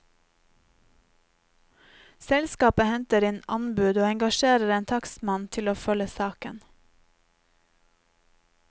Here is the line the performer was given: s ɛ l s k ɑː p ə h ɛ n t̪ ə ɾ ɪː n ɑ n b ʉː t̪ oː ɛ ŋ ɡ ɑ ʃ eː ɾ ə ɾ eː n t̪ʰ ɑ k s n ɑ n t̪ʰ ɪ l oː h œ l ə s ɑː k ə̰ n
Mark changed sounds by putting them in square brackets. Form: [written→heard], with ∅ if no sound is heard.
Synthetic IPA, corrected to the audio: s ɛ l s k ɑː p ə h ɛ n t̪ ə ɾ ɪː n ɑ n b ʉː [t̪→d̪] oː ɛ ŋ ɡ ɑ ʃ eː ɾ ə ɾ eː n t̪ʰ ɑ k s [n→m] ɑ n t̪ʰ ɪ l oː [h→f] œ l ə s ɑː k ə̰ n